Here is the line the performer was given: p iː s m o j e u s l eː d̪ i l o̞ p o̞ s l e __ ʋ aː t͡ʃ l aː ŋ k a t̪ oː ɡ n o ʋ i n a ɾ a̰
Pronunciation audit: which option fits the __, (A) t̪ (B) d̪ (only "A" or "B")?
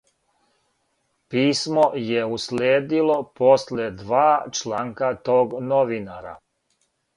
B